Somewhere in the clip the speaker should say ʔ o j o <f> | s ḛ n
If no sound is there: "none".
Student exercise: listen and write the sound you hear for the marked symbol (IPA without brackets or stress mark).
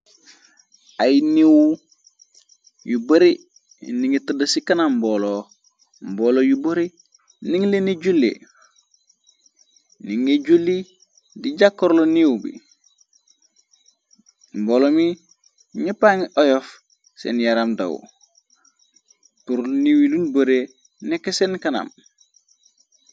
f